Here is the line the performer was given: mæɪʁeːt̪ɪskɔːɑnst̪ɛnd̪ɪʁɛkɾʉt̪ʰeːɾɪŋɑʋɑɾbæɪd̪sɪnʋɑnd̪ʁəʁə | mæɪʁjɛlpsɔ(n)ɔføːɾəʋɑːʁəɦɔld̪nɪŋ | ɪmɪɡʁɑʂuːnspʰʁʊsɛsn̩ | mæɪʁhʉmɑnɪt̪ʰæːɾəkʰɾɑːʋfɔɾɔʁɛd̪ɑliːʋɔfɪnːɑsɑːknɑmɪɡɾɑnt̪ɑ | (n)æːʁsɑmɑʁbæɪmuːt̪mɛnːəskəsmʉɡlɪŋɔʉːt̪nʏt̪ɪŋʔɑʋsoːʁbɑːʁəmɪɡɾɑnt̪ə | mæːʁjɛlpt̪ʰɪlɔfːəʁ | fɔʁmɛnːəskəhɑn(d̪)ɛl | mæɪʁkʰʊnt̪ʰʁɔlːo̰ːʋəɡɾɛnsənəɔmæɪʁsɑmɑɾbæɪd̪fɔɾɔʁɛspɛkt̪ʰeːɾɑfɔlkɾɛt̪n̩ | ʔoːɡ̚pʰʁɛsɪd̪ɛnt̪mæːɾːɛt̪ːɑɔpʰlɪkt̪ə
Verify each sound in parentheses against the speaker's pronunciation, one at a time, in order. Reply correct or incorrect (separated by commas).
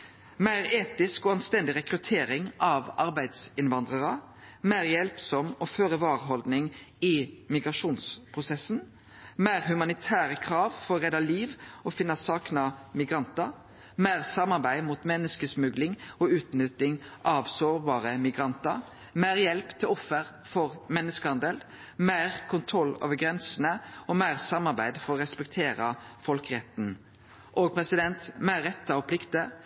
incorrect, incorrect, correct